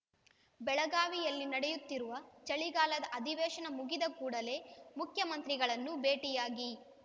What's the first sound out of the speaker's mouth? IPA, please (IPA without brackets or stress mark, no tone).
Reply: b